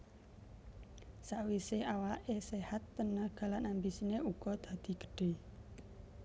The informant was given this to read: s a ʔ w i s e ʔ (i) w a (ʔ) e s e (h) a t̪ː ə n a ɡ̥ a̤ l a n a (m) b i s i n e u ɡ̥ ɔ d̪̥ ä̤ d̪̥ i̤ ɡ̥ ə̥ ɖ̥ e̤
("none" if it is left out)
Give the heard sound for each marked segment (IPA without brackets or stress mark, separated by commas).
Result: a, ʔ, h, m